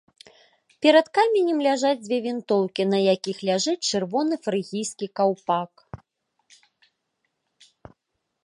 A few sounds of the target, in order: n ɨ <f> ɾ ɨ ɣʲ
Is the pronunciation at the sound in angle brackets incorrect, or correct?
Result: correct